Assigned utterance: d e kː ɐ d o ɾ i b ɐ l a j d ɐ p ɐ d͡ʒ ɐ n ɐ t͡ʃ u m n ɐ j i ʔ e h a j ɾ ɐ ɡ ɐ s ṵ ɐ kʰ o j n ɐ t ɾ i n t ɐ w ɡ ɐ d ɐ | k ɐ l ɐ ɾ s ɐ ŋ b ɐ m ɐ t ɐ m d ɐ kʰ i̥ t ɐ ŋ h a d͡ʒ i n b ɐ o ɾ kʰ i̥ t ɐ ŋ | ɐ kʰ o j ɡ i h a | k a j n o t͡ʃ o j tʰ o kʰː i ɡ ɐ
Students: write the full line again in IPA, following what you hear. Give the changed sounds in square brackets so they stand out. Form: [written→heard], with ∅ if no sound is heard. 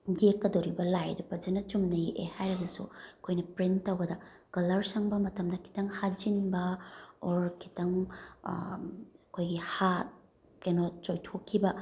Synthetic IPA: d e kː ɐ d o ɾ i b ɐ l a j d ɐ p ɐ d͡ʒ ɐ n ɐ t͡ʃ u m n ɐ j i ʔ e h a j ɾ ɐ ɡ ɐ s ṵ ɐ kʰ o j n ɐ [t→p] ɾ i n t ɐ w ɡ ɐ d ɐ | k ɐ l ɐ ɾ s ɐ ŋ b ɐ m ɐ t ɐ m d ɐ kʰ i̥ t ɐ ŋ h a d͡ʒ i n b ɐ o ɾ kʰ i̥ t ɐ ŋ | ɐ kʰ o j ɡ i h a | k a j n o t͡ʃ o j tʰ o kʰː i [ɡ→b] ɐ